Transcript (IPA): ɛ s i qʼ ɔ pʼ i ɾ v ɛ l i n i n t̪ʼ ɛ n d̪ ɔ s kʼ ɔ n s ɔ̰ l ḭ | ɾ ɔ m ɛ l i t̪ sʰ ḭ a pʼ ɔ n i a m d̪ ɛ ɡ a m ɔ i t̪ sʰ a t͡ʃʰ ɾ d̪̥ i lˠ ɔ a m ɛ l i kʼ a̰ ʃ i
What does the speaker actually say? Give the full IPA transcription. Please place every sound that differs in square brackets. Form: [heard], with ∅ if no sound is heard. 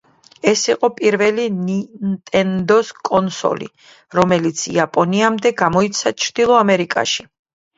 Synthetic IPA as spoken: ɛ s i qʼ ɔ pʼ i ɾ v ɛ l i n i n t̪ʼ ɛ n d̪ ɔ s kʼ ɔ n s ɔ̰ l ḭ | ɾ ɔ m ɛ l i t̪ sʰ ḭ a pʼ ɔ n i a m d̪ ɛ ɡ a m ɔ i t̪ sʰ a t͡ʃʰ ɾ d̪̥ i lˠ ɔ a m ɛ [ɾ] i kʼ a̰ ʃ i